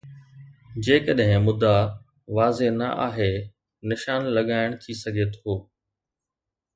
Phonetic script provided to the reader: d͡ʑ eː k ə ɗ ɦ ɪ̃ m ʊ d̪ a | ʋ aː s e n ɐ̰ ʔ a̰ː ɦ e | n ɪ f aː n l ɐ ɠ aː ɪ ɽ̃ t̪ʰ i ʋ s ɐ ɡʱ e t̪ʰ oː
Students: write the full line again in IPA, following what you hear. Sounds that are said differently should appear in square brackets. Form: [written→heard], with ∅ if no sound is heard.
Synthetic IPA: d͡ʑ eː k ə ɗ ɦ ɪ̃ m ʊ d̪ a | ʋ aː [s→z] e n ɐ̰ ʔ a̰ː ɦ e | n ɪ [f→ʃ] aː n l ɐ ɠ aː ɪ ɽ̃ t̪ʰ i [ʋ→∅] s ɐ ɡʱ e t̪ʰ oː